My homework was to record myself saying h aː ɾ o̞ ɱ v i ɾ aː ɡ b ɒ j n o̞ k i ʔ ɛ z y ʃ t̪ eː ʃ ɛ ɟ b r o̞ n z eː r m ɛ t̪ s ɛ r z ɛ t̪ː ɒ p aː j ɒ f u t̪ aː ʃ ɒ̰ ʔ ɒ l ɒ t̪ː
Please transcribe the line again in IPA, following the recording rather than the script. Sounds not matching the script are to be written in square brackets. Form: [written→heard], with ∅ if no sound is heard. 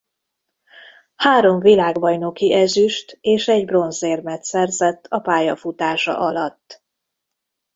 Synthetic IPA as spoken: h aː ɾ o̞ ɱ v i [ɾ→l] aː ɡ b ɒ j n o̞ k i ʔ ɛ z y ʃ t̪ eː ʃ ɛ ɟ b r o̞ n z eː r m ɛ t̪ s ɛ r z ɛ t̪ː ɒ p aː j ɒ f u t̪ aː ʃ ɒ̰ ʔ ɒ l ɒ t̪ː